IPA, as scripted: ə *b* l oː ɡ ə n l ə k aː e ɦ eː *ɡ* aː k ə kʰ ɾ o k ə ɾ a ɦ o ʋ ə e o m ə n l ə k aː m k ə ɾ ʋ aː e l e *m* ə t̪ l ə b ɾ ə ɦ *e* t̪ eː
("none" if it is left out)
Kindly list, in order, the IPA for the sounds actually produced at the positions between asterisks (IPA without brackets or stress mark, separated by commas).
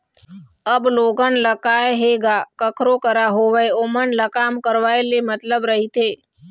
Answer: b, ɡ, m, i